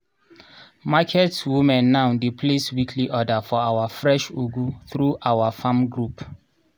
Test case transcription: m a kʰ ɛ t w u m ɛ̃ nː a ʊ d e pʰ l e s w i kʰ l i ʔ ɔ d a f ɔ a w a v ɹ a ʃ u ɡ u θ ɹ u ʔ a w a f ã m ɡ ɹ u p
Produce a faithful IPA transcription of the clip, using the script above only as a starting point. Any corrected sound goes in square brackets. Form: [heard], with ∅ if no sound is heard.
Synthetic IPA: m a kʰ ɛ t w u m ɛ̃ nː a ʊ d e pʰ l e s w i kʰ l i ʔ ɔ d a f ɔ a w a [f] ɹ [ɛ] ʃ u ɡ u θ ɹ u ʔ a w a f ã m ɡ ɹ u p